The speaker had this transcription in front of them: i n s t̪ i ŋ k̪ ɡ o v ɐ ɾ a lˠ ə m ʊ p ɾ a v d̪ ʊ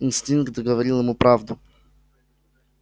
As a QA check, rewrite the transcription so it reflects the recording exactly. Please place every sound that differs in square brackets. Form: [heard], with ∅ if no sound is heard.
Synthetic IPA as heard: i n s t̪ i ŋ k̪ ɡ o v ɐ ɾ [i] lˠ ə m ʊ p ɾ a v d̪ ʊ